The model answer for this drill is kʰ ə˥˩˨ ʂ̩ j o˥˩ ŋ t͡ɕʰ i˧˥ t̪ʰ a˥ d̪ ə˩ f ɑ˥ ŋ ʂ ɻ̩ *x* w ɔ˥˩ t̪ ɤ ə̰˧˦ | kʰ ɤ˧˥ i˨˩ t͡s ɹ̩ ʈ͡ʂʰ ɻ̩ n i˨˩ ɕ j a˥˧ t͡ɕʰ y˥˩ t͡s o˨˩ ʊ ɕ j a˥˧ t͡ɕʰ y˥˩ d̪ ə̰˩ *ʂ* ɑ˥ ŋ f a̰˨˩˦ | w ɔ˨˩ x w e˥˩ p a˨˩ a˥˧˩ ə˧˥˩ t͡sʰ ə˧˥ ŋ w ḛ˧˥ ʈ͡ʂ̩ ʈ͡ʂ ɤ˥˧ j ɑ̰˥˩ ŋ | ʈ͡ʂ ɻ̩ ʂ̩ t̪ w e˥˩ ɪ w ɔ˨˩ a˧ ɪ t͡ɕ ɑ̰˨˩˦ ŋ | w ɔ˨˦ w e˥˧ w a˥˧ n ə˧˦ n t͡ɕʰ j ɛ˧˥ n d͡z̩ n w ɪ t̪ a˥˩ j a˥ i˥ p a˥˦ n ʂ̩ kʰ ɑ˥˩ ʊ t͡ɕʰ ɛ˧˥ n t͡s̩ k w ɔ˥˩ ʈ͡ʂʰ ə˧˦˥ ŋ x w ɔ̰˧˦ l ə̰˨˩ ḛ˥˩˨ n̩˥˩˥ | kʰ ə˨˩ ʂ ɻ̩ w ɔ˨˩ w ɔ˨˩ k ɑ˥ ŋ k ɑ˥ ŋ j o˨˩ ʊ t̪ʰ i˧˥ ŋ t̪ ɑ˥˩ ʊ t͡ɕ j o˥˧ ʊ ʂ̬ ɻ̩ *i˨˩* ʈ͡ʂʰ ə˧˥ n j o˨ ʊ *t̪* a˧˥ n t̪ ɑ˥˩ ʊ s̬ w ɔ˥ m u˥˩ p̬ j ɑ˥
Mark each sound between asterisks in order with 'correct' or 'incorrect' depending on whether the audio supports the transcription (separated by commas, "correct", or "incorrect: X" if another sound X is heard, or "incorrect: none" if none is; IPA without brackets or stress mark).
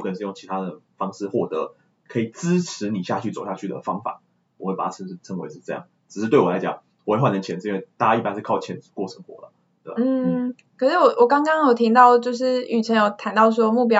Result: correct, incorrect: f, incorrect: y˨˩, incorrect: t̪ʰ